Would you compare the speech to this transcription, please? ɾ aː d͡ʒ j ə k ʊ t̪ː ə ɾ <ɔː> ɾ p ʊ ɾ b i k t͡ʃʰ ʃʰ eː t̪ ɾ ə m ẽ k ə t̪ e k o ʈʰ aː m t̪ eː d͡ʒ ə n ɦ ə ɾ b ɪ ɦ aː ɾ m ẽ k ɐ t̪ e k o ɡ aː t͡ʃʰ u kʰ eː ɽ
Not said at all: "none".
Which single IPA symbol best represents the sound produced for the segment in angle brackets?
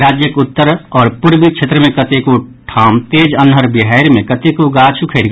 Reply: ɔː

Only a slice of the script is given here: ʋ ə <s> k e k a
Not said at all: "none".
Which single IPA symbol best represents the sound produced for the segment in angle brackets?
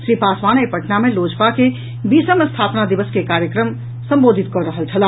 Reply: s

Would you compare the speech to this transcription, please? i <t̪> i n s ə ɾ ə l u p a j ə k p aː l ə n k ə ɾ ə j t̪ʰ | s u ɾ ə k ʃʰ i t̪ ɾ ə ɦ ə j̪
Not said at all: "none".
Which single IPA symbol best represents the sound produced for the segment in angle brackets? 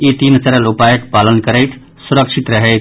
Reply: t̪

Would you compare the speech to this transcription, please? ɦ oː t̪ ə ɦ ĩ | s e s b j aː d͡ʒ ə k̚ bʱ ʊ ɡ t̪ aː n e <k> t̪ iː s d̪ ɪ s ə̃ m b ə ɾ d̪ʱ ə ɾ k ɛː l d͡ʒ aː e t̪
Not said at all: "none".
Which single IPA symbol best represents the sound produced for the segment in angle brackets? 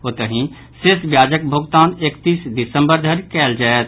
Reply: k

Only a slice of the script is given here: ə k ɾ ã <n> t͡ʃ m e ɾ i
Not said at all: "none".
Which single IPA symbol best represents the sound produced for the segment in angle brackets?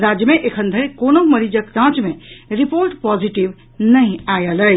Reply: none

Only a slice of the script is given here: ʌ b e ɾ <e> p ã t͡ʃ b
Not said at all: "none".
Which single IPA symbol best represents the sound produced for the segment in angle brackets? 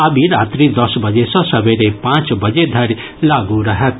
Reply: e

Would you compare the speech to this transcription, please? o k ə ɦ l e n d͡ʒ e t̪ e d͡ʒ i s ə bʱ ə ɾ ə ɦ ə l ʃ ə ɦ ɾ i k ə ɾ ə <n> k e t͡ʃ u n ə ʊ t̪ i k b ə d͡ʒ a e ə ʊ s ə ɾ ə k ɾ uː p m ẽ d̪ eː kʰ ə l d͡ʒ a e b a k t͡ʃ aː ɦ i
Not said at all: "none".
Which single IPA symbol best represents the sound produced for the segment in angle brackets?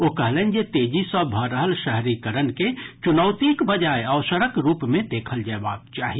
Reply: n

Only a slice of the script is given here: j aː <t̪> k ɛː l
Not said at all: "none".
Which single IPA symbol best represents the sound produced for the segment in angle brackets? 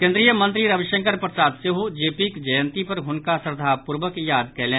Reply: d̪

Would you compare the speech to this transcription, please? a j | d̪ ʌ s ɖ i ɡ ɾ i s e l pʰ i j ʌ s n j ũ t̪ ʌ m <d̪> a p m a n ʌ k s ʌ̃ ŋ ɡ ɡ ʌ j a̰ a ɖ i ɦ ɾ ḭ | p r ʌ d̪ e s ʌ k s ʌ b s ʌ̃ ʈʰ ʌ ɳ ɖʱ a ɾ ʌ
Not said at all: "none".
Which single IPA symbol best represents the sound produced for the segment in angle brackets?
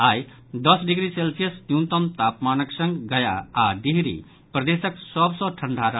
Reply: t̪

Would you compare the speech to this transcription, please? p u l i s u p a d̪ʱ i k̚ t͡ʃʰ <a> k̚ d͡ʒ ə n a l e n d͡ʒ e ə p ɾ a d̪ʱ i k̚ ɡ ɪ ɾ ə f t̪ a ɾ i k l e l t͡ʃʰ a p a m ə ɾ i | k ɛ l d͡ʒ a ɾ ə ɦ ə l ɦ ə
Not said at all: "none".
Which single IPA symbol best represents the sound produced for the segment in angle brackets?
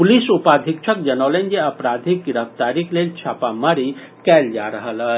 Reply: ə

